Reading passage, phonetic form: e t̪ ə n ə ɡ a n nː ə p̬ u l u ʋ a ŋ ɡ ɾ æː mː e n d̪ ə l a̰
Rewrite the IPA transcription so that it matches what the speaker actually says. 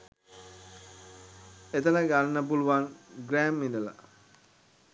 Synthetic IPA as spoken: e t̪ ə n ə ɡ a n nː ə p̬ u l u ʋ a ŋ ɡ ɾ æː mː i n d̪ ə l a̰